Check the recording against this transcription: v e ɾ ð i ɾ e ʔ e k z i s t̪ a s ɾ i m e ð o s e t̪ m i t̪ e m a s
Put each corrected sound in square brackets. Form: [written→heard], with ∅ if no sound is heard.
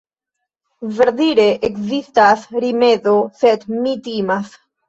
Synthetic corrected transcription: v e ɾ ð i ɾ e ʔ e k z i s t̪ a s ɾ i m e ð o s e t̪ m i t̪ [e→i] m a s